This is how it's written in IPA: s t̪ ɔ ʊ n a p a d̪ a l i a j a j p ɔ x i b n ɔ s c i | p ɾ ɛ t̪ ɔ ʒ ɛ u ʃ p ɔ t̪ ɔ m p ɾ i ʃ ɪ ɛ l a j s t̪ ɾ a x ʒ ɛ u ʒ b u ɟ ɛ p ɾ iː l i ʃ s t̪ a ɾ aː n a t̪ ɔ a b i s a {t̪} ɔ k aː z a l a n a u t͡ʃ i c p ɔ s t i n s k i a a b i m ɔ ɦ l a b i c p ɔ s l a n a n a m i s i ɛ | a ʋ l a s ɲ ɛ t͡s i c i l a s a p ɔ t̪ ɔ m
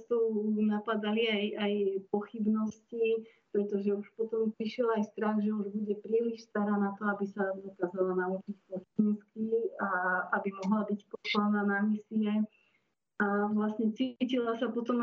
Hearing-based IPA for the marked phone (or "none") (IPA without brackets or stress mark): d̪